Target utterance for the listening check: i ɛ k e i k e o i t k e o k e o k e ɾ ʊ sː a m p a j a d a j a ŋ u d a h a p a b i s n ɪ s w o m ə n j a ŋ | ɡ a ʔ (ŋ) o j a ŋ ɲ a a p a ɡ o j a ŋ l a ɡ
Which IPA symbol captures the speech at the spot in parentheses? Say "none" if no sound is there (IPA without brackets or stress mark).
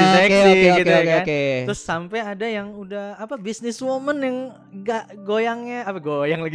ɡ